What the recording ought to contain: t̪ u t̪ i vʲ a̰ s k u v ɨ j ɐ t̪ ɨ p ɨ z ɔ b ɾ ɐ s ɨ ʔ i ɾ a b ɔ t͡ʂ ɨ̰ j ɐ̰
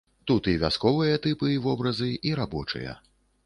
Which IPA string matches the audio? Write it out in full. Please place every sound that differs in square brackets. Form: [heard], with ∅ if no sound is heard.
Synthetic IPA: t̪ u t̪ i vʲ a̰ s k [ɔ] v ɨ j ɐ t̪ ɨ p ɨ [v] ɔ b ɾ ɐ [z] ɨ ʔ i ɾ a b ɔ t͡ʂ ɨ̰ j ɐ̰

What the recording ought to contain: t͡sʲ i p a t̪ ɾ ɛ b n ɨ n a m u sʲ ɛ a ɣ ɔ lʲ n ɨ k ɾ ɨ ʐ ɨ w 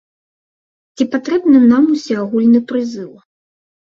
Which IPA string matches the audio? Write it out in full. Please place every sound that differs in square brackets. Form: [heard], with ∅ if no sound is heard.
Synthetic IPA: t͡sʲ i p a t̪ ɾ ɛ b n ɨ n a m u sʲ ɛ a ɣ [u] lʲ n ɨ [p] ɾ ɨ [z] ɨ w

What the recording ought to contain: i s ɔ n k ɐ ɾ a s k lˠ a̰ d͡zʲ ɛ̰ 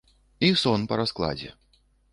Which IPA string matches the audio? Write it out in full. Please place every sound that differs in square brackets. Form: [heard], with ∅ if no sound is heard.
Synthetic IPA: i s ɔ n [p] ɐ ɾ a s k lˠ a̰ d͡zʲ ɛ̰

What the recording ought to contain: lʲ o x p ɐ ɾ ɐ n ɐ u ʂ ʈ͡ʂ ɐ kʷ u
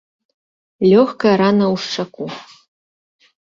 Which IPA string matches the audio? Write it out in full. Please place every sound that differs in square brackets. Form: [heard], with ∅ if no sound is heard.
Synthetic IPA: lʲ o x [k] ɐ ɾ [a] n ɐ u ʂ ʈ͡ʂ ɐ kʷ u

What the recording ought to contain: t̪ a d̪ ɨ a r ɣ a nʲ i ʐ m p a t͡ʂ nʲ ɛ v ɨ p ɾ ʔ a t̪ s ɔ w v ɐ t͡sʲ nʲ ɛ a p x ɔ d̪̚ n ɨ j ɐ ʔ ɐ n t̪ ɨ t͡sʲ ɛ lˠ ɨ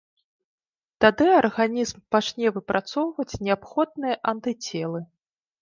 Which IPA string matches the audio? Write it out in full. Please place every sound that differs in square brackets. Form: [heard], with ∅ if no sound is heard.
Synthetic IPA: t̪ a d̪ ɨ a r ɣ a nʲ i [z] m p a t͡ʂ nʲ ɛ v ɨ p ɾ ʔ a t̪ s ɔ w v ɐ t͡sʲ nʲ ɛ a p x ɔ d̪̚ n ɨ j ɐ ʔ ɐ n t̪ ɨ t͡sʲ ɛ lˠ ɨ

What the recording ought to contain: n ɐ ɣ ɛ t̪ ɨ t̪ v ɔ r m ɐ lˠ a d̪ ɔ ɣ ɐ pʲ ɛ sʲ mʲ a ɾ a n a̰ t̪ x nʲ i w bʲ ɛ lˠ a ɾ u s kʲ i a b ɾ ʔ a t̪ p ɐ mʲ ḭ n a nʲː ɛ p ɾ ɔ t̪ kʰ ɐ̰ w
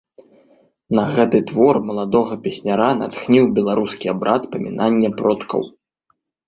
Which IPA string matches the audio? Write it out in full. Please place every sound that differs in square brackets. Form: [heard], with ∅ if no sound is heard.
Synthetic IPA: n ɐ ɣ ɛ t̪ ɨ t̪ v ɔ r m ɐ lˠ a d̪ ɔ ɣ ɐ pʲ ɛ sʲ [nʲ] a ɾ a n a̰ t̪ x nʲ i w bʲ ɛ lˠ a ɾ u s kʲ i a b ɾ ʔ a t̪ p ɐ mʲ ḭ n a nʲː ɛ p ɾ ɔ t̪ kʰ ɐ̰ w

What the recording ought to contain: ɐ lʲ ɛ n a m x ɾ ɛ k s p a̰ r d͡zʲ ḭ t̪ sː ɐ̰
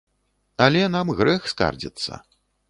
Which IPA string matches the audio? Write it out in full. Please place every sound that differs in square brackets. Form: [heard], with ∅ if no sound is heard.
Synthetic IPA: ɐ lʲ ɛ n a m [ɣ] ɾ ɛ [x] s [k] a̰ r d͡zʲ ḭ t̪ sː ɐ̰

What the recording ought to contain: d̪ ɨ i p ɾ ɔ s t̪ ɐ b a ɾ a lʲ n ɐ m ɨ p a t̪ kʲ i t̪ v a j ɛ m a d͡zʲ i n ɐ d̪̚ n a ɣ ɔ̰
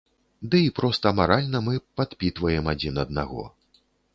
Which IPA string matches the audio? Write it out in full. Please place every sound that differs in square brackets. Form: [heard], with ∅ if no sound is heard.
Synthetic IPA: d̪ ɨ i p ɾ ɔ s t̪ ɐ [m] a ɾ a lʲ n ɐ m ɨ p a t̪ [pʲ] i t̪ v [ɐ] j ɛ m a d͡zʲ i n ɐ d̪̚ n a ɣ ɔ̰

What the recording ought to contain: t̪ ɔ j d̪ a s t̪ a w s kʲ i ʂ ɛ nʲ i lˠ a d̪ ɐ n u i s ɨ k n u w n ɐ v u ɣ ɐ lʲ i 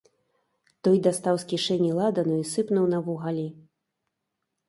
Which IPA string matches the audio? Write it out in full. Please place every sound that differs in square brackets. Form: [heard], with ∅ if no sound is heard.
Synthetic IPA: t̪ ɔ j d̪ a s t̪ a w s kʲ i ʂ ɛ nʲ i lˠ a d̪ ɐ n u i s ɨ [p] n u w n ɐ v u ɣ [a] lʲ i

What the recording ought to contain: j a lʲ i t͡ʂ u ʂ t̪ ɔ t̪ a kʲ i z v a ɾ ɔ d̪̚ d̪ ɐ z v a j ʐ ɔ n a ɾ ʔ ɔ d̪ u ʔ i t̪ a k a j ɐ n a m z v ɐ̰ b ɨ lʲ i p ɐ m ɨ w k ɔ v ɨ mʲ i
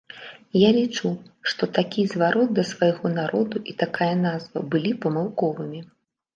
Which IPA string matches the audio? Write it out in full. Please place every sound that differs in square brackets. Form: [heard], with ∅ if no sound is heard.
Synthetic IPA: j a lʲ i t͡ʂ u ʂ t̪ ɔ t̪ a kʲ i z v a ɾ ɔ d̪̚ d̪ ɐ [s] v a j [ɣ] ɔ n a ɾ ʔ ɔ d̪ u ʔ i t̪ a k a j ɐ n a [∅] z v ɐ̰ b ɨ lʲ i p ɐ m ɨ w k ɔ v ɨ mʲ i

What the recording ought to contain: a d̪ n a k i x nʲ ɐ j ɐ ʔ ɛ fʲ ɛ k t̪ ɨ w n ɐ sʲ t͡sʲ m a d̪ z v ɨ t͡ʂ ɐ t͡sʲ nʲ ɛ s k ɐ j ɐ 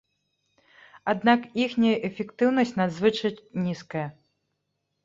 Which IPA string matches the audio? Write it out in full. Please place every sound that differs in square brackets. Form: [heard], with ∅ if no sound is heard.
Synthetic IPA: a d̪ n a k i x nʲ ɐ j ɐ ʔ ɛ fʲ ɛ k t̪ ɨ w n ɐ sʲ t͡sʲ [n] a d̪ z v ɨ t͡ʂ ɐ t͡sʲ nʲ [i] s k ɐ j ɐ

